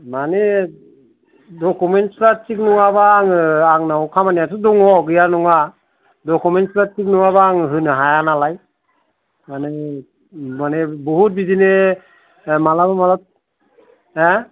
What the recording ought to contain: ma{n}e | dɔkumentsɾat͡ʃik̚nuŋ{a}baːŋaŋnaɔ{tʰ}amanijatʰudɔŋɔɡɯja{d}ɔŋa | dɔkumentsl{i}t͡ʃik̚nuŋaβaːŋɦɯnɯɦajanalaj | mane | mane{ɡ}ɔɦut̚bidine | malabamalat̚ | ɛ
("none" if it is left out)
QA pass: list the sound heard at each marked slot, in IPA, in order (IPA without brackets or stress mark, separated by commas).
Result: n, a, kʰ, n, a, b